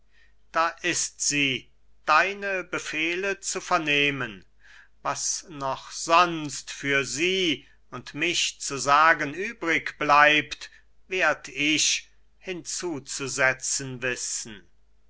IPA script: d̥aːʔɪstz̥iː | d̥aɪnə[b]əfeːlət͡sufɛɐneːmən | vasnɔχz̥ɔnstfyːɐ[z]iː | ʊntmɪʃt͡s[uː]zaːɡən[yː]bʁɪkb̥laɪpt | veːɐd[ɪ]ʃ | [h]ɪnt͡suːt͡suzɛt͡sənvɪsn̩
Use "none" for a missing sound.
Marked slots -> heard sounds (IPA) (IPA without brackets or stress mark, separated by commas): b, z, u, yː, ɪ, h